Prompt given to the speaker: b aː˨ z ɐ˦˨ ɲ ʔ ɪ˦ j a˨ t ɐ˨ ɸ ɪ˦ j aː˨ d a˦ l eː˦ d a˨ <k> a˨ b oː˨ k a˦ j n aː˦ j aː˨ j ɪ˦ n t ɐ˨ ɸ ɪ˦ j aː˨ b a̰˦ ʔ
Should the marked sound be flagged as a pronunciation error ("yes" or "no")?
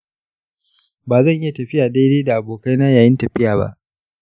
yes